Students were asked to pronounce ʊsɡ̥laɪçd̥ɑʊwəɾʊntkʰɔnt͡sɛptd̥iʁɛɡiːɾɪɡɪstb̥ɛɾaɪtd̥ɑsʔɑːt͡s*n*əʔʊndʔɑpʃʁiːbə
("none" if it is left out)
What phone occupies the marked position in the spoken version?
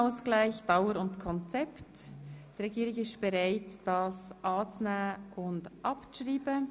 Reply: n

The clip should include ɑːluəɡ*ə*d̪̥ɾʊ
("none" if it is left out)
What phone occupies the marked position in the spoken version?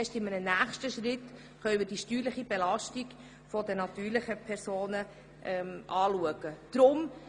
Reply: ə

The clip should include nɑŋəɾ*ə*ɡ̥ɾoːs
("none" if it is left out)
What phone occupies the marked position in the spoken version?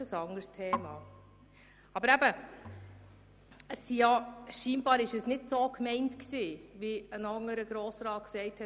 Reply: ə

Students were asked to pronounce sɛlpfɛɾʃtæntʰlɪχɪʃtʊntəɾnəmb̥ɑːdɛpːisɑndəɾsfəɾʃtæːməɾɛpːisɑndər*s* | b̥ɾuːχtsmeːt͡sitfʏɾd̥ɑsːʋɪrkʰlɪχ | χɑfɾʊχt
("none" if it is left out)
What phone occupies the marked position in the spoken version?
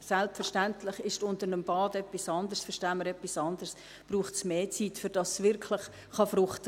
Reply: s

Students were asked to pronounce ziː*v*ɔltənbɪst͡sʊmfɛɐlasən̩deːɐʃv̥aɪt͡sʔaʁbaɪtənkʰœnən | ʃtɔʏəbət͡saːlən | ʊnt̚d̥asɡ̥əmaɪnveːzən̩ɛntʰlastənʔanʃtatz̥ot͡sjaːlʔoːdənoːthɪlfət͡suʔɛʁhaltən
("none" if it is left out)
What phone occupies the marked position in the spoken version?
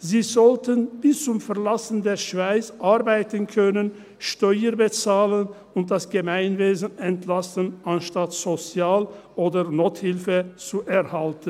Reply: z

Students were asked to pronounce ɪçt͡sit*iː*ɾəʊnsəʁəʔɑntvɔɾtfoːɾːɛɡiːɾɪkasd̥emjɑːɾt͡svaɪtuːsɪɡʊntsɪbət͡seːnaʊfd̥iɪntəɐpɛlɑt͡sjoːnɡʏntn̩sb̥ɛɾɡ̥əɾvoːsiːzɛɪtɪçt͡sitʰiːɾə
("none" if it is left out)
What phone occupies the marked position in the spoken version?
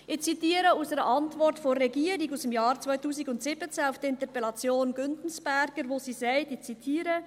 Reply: iː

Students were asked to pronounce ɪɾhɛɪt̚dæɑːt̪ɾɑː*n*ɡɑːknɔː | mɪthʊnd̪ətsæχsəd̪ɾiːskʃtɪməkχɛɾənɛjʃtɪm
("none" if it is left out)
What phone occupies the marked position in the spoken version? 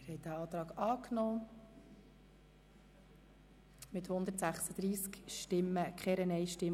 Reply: none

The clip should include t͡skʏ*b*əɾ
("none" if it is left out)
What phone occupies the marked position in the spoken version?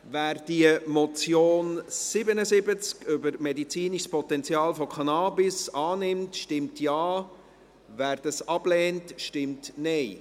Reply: b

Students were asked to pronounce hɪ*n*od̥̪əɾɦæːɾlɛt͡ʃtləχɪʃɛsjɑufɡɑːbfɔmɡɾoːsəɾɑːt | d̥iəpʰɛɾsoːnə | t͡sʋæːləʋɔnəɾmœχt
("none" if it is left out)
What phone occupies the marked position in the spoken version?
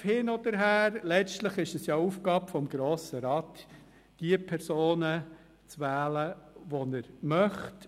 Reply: n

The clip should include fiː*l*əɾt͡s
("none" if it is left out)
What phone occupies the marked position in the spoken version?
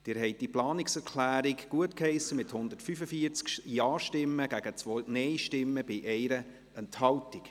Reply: none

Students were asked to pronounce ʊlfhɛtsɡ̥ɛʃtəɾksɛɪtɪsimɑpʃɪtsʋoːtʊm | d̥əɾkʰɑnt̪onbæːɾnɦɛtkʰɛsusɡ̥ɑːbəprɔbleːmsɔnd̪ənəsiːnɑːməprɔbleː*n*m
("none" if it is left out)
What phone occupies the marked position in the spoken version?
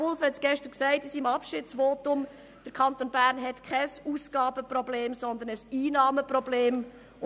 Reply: none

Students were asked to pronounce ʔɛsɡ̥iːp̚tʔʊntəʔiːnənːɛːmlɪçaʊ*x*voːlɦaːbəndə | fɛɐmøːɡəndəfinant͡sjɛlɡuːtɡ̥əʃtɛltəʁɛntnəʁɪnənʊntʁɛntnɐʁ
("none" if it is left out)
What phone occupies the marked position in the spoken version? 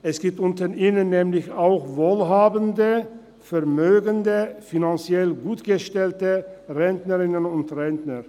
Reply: x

